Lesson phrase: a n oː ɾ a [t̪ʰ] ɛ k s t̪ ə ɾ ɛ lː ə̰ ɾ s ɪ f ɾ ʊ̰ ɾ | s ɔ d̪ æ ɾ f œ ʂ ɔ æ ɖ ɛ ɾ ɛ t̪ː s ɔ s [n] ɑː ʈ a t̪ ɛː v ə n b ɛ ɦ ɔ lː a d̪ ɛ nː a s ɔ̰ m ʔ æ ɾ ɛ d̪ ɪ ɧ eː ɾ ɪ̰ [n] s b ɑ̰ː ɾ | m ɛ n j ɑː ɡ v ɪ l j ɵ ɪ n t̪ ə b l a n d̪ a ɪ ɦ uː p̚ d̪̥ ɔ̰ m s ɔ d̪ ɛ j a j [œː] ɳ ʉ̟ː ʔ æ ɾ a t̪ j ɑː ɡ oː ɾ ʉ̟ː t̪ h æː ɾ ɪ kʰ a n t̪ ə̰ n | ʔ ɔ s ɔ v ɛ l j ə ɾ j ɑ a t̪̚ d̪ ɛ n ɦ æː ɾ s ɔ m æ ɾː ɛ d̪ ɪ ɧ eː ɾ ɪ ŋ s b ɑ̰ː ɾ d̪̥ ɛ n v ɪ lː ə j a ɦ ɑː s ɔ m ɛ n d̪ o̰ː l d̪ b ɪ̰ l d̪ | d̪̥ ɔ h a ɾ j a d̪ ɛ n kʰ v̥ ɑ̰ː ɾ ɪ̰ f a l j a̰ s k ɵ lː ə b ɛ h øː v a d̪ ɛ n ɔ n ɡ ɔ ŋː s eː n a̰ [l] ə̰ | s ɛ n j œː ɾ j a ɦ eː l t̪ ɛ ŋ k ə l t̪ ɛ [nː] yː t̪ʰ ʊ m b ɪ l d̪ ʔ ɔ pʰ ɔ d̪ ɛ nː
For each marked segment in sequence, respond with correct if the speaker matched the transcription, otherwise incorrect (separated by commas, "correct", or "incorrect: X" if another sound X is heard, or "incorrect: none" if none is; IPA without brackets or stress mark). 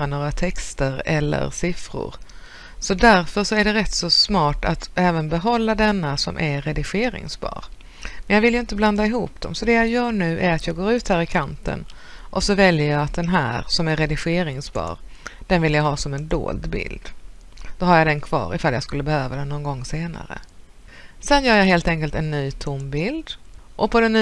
correct, incorrect: m, incorrect: ŋ, correct, incorrect: ɾ, correct